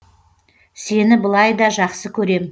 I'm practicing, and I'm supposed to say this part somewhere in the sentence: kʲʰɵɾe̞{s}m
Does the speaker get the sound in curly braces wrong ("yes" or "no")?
yes